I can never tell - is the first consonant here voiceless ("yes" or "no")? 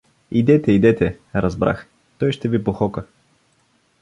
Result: no